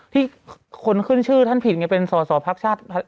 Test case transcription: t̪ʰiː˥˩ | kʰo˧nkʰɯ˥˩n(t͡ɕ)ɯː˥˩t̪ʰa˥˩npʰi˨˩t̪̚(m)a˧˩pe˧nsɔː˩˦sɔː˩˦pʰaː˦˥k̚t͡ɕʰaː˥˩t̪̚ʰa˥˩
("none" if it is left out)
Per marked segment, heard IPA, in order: t͡ɕʰ, ŋ

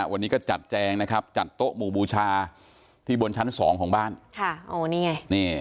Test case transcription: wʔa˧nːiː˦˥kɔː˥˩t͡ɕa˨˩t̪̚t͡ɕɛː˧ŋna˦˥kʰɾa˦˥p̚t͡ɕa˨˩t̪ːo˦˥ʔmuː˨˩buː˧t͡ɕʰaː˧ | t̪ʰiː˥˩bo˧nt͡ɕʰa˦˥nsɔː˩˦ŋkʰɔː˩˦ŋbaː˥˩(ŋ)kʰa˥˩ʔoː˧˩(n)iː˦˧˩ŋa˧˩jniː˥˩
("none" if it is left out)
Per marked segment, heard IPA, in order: n, n

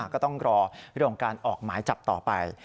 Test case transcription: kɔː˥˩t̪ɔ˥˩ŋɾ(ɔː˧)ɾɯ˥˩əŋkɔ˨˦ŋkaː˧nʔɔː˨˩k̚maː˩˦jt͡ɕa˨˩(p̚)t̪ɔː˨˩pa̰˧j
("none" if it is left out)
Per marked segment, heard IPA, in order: ɔː˧, p̚

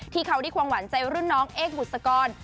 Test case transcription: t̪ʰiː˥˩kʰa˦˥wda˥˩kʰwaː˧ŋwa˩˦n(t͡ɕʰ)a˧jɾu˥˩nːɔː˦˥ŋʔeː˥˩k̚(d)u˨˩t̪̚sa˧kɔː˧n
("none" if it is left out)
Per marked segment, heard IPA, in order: t͡ɕ, b

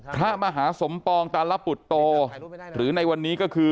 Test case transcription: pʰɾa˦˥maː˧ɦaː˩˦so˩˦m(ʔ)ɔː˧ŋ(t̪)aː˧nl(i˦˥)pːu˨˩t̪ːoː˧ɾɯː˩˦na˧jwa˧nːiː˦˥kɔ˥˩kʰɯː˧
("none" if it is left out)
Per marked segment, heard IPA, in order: p, t̪, a˦˥

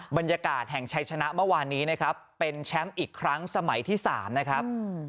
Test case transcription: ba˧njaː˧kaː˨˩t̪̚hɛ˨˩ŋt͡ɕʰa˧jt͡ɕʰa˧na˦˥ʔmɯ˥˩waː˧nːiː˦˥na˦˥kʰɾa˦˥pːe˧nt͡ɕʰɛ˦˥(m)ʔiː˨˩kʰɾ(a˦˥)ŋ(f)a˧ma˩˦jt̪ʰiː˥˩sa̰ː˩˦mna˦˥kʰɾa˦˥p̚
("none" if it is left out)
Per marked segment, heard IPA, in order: m, a˦˥, s

